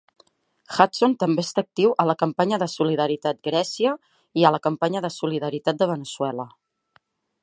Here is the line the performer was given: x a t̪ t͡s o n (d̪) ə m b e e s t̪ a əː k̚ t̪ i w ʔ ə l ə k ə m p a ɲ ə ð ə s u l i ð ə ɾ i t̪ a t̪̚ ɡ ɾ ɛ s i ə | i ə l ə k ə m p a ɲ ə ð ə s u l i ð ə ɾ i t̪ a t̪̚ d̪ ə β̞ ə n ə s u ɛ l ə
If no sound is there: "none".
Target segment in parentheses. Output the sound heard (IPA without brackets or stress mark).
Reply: t̪